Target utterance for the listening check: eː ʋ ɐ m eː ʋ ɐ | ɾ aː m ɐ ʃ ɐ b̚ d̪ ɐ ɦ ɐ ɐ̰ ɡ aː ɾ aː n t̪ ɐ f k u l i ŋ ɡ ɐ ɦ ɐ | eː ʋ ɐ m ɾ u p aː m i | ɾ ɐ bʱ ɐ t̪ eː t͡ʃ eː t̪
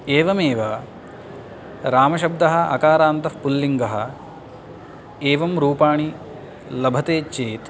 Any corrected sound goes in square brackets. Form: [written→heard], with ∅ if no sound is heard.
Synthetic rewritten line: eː ʋ ɐ m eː ʋ ɐ | ɾ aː m ɐ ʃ ɐ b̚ d̪ ɐ ɦ ɐ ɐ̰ [ɡ→k] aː ɾ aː n t̪ ɐ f [k→p] u [l→lː] i ŋ ɡ ɐ ɦ ɐ | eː ʋ ɐ m ɾ [u→uː] p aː [m→ɳ] i | [ɾ→l] ɐ bʱ ɐ t̪ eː t͡ʃ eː t̪